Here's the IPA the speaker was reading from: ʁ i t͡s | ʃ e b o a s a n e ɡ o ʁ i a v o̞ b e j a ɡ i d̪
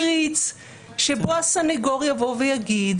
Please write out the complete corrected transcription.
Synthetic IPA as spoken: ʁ i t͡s | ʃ e b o a s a n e ɡ o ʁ j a v o̞ v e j a ɡ i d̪

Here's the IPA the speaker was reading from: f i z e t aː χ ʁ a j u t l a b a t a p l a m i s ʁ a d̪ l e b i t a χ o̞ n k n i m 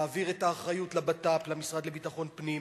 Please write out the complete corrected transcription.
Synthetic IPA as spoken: v i ʁ e t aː χ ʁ a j u t l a b a t a p l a m i s ʁ a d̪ l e b i t a χ o̞ n p n i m

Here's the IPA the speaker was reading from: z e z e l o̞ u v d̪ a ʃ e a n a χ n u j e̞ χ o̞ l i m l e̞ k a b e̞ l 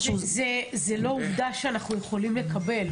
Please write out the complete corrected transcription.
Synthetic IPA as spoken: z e z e l o̞ u v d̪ a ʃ e a n a χ n u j e̞ χ o̞ l i m l e̞ k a b e̞ l

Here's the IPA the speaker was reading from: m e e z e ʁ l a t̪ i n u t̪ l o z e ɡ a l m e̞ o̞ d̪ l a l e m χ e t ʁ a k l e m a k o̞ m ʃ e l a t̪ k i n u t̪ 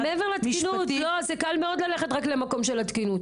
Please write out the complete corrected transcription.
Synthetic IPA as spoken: m e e v e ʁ l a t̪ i n u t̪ l o z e k a l m e̞ o̞ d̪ l a l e χ e t ʁ a k l e m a k o̞ m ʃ e l a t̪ k i n u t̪

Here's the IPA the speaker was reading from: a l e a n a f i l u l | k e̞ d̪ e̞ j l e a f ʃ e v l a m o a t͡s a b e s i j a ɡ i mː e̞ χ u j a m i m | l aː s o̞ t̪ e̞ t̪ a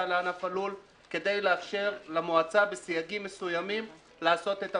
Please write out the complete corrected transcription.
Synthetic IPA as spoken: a l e a n a f a l u l | k e̞ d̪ e̞ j l e a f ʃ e ʁ l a m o a t͡s a b e s i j a ɡ i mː e̞ s u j a m i m | l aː s o̞ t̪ e̞ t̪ a

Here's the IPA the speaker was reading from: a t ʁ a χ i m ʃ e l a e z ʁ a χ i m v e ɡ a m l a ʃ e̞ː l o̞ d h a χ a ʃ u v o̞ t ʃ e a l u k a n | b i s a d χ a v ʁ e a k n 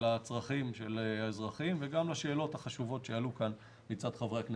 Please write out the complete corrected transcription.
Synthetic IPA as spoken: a t͡s ʁ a χ i m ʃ e l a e z ʁ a χ i m v e ɡ a m l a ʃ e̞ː l o̞ t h a χ a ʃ u v o̞ t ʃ e a l u k a n | m i t͡s a d χ a v ʁ e a k n

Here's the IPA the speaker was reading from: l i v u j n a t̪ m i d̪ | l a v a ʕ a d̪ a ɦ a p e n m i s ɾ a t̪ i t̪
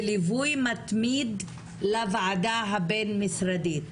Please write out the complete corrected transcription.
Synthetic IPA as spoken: l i v u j m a t̪ m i d̪ | l a v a ʕ a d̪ a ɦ a b e n m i s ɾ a d̪ i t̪

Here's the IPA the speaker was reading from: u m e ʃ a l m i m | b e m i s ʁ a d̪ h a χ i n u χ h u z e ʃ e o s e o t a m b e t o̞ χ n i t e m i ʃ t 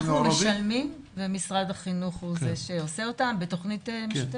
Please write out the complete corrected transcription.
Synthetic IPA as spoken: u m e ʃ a l m i m | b e m i s ʁ a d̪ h a χ i n u χ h u z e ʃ e o s e o t a m b e t o̞ χ n i t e m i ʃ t

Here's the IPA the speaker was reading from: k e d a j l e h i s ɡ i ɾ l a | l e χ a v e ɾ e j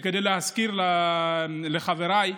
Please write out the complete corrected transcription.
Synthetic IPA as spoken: k e d e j l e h a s k i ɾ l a | l e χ a v e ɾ a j

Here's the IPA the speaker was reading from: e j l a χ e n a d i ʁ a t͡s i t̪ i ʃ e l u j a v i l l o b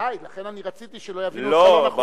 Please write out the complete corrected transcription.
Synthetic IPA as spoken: a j l a χ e n a n i ʁ a t͡s i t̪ i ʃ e l o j a v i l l o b

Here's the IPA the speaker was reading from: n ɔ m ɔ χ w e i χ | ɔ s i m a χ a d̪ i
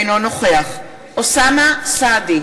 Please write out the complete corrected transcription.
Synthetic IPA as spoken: n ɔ n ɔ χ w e a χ | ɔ s a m a s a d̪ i

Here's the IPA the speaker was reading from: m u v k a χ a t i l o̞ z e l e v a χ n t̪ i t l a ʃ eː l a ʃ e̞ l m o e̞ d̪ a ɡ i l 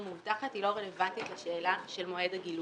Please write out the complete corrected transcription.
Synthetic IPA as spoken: m u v t a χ a t i l o̞ ʁ e l e v a n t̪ i t l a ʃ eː l a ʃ e̞ l m o e̞ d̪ a ɡ i l

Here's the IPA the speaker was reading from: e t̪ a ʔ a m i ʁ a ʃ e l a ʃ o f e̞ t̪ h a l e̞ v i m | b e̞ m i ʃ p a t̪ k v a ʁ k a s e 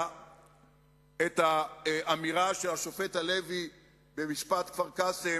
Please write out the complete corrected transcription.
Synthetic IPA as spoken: e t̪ a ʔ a m i ʁ a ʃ e l a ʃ o f e̞ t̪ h a l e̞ v i | b e̞ m i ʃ p a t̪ k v a ʁ k a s e

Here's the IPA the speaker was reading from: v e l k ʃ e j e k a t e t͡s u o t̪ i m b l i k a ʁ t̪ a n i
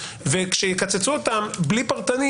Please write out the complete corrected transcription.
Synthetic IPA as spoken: v e k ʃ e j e k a t͡s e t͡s u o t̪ a m b l i p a ʁ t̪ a n i

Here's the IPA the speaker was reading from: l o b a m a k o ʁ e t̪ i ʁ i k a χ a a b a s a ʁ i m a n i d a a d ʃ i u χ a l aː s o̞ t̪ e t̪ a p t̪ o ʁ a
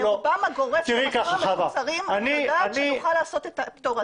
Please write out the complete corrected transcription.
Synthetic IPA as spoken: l o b a m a ɡ o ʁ e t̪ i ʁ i k a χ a a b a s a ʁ i m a n i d a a n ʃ i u χ a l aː s o̞ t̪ e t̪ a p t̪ o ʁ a

